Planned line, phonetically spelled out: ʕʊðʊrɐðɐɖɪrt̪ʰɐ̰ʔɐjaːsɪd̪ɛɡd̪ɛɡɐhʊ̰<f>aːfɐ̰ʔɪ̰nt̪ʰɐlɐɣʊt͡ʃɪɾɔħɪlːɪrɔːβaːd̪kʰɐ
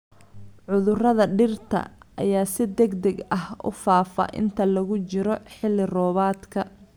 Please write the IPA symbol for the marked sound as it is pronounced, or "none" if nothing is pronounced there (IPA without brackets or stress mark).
f